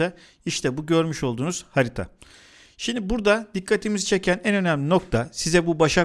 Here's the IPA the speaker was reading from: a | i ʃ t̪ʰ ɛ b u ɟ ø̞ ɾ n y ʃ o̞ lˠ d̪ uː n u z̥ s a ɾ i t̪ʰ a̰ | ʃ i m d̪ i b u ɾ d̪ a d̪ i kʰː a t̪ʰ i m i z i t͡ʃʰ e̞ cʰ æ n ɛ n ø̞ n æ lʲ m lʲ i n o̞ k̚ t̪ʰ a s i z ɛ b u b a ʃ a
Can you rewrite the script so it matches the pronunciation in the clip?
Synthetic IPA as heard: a | i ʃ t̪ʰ ɛ b u ɟ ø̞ ɾ m y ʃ o̞ lˠ d̪ uː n u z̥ h a ɾ i t̪ʰ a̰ | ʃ i m d̪ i b u ɾ d̪ a d̪ i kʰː a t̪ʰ i m i z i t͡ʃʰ e̞ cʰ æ n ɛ n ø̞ n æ m lʲ i n o̞ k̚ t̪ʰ a s i z ɛ b u b a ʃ a

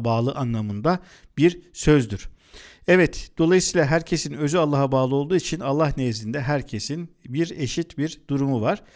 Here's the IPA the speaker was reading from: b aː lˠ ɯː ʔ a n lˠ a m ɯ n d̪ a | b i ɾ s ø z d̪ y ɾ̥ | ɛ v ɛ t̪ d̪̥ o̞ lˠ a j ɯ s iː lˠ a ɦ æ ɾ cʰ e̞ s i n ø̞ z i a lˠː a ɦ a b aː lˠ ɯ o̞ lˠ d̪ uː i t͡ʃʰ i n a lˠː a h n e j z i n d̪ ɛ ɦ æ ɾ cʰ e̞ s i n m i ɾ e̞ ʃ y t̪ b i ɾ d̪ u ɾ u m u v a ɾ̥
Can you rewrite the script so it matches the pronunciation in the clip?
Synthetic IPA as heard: b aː lˠ ɯ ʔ a n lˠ a m ɯ n d̪ a | b i ɾ s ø z d̪ y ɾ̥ | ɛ v ɛ t̪ d̪̥ o̞ lˠ a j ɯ s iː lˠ a ɦ æ ɾ cʰ e̞ s i n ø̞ z y a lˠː a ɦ a b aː lˠ ɯ o̞ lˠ d̪ uː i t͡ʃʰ i n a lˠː a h n e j z i n d̪ ɛ ɦ æ ɾ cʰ e̞ s i n b i ɾ e̞ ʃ i t̪ b i ɾ d̪ u ɾ u m u v a ɾ̥

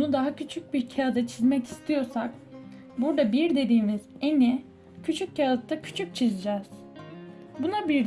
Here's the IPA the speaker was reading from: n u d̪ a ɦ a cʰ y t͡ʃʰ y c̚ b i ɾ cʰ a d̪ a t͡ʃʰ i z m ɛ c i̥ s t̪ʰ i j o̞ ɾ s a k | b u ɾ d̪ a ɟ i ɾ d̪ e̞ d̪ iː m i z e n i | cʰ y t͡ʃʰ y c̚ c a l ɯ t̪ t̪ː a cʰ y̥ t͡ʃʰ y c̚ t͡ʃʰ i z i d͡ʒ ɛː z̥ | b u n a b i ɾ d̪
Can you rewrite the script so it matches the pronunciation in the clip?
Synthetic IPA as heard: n u d̪ a ɦ a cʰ y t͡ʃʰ y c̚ b i ɾ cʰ a d̪ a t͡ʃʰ i z m ɛ c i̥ s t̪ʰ i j o̞ ɾ s a k | b u ɾ d̪ a b i ɾ d̪ e̞ d̪ iː m i z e n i | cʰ y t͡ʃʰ y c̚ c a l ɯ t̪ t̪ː a cʰ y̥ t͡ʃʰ y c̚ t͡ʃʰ i z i d͡ʒ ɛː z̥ | b u n a b i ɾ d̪

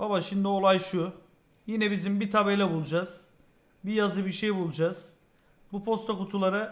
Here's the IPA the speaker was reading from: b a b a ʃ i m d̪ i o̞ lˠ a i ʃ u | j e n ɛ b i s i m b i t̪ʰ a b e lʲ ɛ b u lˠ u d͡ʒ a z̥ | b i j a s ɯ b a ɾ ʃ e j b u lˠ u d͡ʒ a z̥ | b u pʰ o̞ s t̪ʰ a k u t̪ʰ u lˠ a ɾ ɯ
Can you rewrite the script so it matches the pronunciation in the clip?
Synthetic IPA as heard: b a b a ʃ i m d̪ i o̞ lˠ a j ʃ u | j i n ɛ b i z i m b i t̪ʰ a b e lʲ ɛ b u lˠ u d͡ʒ a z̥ | b i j a z ɯ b i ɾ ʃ e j b u lˠ u d͡ʒ a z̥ | b u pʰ o̞ s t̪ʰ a k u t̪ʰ u lˠ a ɾ ɯ

